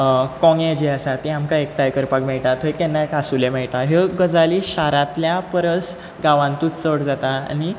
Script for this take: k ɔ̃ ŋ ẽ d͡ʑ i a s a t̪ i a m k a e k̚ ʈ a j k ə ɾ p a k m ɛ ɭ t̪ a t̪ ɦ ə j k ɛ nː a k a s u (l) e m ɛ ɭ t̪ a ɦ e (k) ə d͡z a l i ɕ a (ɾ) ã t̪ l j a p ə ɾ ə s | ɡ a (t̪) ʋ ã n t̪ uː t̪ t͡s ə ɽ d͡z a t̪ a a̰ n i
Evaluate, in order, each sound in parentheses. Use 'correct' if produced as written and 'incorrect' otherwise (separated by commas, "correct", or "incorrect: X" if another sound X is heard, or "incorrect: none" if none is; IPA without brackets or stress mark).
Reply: correct, incorrect: ɡ, correct, incorrect: none